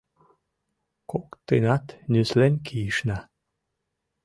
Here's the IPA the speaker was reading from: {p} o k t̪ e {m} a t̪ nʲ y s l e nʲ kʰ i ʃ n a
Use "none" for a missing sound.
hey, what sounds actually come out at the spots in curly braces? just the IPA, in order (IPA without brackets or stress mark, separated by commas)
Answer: k, n